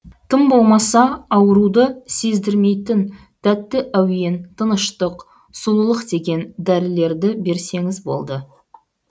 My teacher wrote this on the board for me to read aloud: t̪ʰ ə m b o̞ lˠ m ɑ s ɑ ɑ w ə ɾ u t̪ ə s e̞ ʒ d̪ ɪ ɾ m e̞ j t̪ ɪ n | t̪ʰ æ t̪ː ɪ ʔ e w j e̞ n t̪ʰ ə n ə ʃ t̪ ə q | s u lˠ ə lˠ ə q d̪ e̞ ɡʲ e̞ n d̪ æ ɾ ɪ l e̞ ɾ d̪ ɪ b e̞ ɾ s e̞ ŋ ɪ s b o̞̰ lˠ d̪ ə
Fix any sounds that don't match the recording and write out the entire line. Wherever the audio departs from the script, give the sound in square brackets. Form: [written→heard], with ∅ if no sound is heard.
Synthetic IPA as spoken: t̪ʰ ə m b o̞ lˠ m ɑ s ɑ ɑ w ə ɾ u [t̪→d̪] ə s e̞ [ʒ→z] d̪ ɪ ɾ m e̞ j t̪ ɪ n | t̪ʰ æ t̪ː ɪ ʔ [e→æ] w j e̞ n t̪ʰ ə n ə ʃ t̪ ə q | s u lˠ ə lˠ ə q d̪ e̞ ɡʲ e̞ n d̪ æ ɾ ɪ l e̞ ɾ d̪ ɪ b e̞ ɾ s e̞ ŋ ɪ [s→z] b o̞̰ lˠ d̪ ə